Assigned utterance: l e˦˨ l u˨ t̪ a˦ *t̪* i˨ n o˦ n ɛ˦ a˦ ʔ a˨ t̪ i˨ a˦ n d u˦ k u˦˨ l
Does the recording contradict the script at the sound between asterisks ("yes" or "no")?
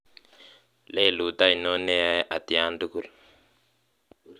yes